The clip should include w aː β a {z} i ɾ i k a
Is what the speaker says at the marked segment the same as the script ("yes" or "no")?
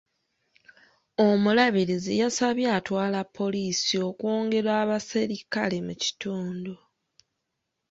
no